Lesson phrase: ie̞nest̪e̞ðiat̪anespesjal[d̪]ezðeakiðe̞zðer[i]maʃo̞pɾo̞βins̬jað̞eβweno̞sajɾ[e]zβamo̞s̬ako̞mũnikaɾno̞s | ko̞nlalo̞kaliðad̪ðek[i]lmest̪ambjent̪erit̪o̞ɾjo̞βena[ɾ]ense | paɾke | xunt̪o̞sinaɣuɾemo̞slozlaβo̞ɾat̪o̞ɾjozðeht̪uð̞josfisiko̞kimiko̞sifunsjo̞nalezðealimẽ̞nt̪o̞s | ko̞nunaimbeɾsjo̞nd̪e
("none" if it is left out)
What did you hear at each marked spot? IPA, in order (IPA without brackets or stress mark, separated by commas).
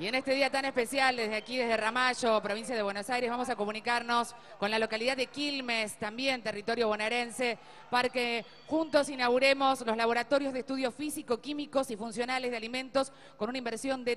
d̪, a, e, i, ɾ